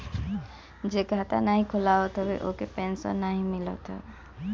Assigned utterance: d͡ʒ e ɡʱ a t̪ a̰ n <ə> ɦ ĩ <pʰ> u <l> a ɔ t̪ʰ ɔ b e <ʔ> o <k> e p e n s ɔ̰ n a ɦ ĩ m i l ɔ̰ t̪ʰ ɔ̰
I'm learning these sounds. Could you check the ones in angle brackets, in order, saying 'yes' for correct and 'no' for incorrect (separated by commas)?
no, no, yes, yes, yes